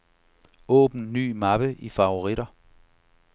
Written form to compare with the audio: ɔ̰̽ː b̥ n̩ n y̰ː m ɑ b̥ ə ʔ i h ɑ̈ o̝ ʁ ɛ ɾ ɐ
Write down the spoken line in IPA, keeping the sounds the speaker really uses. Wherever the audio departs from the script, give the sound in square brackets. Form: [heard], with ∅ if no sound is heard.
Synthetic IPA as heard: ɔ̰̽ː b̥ n̩ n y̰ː m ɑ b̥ ə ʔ i [f] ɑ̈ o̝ ʁ [i] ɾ ɐ